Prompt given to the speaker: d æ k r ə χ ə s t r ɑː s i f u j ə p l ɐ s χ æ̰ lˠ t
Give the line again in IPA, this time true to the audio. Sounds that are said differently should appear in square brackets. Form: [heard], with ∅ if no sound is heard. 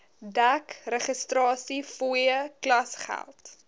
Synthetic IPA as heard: d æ k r ə χ ə s t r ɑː s i f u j ə [k] l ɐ s χ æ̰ lˠ t